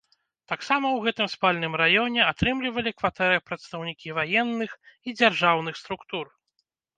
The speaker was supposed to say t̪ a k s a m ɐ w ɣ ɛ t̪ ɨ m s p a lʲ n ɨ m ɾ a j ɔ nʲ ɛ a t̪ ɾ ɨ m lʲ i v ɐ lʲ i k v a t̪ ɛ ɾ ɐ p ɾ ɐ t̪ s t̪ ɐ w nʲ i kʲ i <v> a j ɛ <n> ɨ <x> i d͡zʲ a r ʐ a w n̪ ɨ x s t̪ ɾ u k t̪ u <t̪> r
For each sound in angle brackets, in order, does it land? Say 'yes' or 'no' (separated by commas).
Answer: yes, no, yes, no